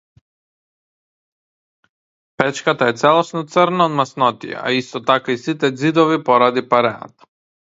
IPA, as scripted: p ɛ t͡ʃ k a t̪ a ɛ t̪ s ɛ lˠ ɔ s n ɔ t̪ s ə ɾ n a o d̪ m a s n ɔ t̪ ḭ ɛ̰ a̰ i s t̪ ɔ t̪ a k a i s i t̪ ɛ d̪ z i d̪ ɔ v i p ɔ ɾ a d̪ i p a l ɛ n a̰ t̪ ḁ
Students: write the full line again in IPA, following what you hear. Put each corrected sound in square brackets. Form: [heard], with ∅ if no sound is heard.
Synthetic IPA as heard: p ɛ t͡ʃ k a t̪ a ɛ t̪ s ɛ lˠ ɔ s n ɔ t̪ s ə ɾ n a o d̪ m a s n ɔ t̪ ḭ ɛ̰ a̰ i s t̪ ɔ t̪ a k a i s i t̪ ɛ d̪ z i d̪ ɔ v i p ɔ ɾ a d̪ i p a [ɾ] ɛ n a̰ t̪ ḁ